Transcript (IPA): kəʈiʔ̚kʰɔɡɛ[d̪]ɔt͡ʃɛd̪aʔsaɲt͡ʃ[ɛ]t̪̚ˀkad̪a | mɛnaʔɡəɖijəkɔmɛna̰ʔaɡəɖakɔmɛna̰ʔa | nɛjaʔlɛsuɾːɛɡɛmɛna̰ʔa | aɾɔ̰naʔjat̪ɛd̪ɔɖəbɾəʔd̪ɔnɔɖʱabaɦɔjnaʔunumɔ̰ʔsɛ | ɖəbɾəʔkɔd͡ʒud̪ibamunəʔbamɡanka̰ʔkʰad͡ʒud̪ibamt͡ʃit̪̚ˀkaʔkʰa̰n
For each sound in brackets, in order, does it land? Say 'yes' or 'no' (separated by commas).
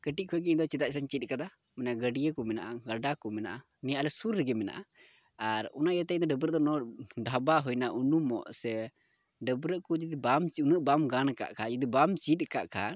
yes, no